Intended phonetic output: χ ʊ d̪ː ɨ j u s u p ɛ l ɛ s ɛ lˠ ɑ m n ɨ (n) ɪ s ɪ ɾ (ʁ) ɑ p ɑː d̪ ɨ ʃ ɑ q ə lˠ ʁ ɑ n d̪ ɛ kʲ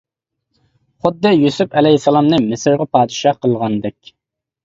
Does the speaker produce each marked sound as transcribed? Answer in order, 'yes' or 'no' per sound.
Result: no, yes

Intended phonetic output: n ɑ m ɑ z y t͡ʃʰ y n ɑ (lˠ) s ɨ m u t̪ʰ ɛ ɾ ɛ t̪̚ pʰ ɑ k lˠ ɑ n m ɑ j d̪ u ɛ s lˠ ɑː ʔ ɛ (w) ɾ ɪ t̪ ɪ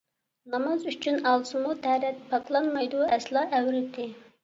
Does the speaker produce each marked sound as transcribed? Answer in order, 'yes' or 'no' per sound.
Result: yes, yes

